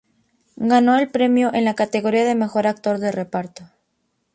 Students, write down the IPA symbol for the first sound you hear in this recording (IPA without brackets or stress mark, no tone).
ɡ